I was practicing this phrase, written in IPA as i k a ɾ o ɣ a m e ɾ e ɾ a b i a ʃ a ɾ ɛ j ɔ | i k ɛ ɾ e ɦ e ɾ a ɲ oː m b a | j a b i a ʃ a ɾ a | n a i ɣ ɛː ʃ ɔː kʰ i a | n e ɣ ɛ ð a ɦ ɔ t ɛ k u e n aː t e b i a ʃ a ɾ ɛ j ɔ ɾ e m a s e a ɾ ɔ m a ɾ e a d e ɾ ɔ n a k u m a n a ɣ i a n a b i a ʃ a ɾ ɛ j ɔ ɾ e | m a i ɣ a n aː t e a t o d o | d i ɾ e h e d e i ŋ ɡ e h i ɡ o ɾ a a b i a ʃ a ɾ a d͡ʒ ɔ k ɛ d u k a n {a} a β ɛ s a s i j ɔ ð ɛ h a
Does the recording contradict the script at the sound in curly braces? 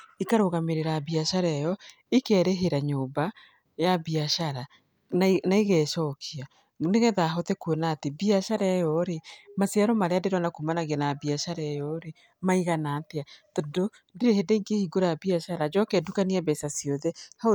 yes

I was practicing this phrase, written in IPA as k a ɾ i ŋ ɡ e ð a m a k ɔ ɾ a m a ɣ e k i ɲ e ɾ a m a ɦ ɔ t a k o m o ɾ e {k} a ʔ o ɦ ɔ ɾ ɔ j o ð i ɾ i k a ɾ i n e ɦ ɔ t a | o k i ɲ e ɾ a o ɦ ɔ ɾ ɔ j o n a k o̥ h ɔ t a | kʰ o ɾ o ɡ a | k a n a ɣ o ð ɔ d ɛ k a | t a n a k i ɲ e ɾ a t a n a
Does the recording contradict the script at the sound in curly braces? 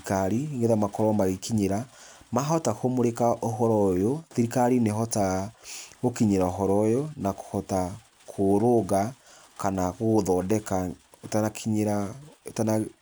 no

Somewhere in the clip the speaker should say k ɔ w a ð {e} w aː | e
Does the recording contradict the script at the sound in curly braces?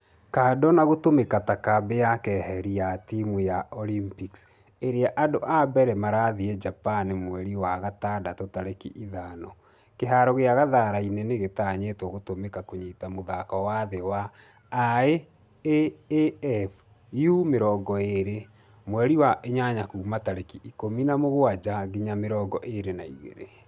no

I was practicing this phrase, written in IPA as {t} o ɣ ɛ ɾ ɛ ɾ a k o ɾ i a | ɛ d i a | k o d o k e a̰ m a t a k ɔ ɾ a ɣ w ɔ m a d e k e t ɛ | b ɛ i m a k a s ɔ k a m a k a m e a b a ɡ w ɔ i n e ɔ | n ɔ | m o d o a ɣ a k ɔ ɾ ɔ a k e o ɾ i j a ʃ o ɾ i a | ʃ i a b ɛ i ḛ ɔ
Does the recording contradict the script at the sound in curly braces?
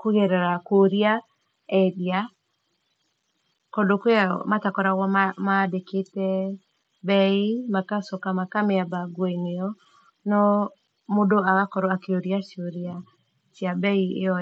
yes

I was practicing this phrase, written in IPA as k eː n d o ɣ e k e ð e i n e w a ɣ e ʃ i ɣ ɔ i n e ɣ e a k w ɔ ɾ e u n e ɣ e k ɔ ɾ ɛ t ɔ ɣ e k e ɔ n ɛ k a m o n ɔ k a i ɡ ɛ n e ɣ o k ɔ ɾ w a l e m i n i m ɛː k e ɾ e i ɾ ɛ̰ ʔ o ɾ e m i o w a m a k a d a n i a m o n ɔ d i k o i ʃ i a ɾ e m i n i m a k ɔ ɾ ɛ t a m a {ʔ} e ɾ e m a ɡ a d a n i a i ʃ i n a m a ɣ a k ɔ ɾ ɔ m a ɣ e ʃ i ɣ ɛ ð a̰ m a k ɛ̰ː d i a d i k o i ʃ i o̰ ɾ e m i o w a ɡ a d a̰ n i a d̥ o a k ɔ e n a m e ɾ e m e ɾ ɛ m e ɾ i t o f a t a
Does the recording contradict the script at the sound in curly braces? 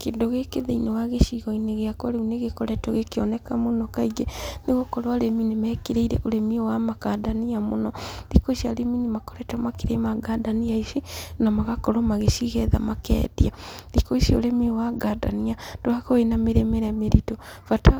yes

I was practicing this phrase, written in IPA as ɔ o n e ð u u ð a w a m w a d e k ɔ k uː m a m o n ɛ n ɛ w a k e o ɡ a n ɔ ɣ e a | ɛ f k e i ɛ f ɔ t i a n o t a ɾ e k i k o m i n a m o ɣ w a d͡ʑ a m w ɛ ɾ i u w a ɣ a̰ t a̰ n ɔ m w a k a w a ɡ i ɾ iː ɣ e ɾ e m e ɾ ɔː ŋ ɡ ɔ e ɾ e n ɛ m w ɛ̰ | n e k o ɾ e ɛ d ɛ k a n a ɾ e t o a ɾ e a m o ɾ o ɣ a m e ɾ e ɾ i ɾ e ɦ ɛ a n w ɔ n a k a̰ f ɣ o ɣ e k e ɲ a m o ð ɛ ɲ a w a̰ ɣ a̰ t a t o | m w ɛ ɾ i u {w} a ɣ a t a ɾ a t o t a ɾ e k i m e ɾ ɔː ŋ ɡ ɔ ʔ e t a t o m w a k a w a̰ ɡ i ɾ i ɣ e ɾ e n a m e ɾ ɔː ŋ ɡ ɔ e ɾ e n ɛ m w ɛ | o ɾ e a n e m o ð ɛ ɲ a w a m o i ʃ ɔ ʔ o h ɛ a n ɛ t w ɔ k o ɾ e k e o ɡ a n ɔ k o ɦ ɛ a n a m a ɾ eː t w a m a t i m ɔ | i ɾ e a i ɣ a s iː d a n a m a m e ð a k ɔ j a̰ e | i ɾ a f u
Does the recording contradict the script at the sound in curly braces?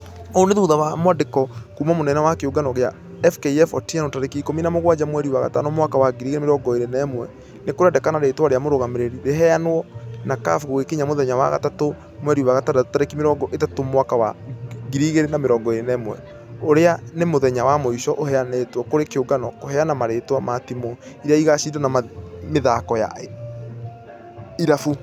no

